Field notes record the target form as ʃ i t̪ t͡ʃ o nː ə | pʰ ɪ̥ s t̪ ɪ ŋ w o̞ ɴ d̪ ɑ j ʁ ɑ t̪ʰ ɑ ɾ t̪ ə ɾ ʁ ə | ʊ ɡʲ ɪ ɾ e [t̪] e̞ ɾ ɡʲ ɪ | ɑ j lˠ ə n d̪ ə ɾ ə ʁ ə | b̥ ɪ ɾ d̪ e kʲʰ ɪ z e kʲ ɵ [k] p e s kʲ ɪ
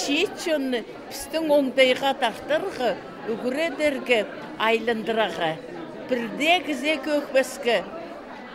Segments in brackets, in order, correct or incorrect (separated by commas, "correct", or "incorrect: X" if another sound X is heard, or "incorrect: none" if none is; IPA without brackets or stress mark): incorrect: d̪, correct